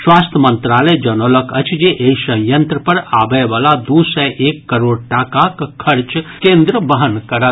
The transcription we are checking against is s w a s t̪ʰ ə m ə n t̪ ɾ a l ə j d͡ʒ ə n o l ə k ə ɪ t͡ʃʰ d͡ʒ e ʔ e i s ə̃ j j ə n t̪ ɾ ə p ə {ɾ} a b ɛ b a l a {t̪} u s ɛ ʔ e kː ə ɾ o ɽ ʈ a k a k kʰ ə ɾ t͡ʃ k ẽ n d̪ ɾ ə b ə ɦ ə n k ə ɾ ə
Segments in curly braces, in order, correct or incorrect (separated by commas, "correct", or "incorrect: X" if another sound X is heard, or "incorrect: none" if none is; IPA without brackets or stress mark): correct, incorrect: d̪